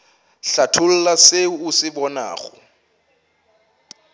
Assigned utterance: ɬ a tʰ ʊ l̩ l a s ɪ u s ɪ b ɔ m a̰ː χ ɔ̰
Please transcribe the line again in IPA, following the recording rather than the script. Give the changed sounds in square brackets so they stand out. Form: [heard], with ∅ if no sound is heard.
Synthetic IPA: ɬ a tʰ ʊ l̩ l a s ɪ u s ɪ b ɔ [n] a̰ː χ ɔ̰